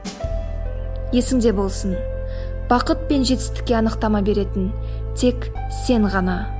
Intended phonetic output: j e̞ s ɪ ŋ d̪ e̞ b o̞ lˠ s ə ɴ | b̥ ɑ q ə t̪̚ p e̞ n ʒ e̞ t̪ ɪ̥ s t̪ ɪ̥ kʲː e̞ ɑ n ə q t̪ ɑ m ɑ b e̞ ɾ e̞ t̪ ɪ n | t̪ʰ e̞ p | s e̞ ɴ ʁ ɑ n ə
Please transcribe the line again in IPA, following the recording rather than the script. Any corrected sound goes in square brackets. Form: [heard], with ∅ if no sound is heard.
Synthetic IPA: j e̞ s ɪ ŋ d̪ e̞ b o̞ lˠ s ə [n] | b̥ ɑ q ə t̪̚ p e̞ n ʒ e̞ t̪ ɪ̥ s t̪ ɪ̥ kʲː e̞ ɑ n ə q t̪ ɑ m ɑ b e̞ ɾ e̞ t̪ ɪ n | t̪ʰ e̞ [k] | s e̞ ɴ ʁ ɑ n [ɑ]